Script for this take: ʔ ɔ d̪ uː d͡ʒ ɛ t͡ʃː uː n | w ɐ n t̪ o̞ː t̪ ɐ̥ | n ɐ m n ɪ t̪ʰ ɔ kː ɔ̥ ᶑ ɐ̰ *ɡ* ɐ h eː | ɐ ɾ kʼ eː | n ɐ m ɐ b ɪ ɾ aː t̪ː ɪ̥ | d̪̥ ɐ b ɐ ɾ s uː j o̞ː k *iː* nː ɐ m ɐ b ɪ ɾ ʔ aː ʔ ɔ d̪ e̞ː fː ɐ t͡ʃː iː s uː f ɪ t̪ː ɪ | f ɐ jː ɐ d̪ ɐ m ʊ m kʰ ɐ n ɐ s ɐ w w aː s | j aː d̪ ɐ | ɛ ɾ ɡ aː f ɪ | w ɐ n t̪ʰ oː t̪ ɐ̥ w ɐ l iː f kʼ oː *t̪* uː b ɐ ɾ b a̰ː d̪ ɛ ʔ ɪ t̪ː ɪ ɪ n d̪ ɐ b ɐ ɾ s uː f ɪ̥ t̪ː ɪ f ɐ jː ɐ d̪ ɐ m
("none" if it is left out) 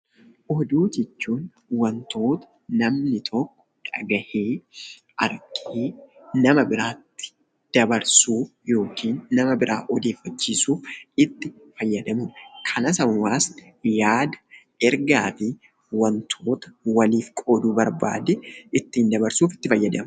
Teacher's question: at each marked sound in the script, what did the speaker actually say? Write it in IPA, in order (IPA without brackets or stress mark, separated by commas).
ɡ, iː, d̪